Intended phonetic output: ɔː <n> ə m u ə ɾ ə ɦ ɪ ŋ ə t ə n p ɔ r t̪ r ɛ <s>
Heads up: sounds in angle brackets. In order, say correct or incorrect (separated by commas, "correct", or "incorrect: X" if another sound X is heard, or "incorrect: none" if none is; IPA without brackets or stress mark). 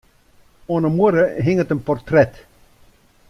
correct, incorrect: t